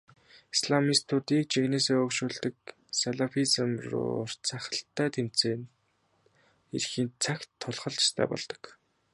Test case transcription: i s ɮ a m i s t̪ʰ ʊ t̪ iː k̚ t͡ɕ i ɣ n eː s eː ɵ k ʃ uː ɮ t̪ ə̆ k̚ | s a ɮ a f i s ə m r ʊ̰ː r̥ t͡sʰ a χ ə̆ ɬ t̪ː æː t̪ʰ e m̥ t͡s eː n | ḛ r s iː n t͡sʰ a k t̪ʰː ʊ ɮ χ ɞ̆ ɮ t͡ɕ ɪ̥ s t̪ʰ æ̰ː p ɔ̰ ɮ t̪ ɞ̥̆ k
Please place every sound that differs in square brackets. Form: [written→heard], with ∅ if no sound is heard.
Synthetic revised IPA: i s ɮ a m i s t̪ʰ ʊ t̪ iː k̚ t͡ɕ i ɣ n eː s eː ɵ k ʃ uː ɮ t̪ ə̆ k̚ | s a ɮ a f i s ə m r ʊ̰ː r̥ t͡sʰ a χ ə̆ ɬ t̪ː æː t̪ʰ e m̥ t͡s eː n | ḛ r [s→x] iː n t͡sʰ a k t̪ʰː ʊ ɮ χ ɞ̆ ɮ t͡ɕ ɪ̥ s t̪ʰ æ̰ː p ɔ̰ ɮ t̪ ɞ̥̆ k